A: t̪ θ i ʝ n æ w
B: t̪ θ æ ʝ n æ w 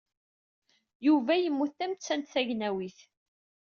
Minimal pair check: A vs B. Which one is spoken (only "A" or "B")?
B